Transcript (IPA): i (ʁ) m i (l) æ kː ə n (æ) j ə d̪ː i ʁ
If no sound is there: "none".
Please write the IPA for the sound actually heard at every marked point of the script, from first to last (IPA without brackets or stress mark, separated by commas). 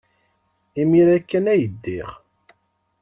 none, ɾ, æ